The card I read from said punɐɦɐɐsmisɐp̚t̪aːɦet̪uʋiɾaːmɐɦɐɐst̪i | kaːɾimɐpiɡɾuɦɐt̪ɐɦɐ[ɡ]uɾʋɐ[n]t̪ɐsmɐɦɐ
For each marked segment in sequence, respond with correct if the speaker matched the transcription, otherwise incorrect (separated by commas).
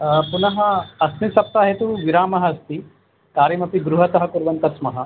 incorrect, correct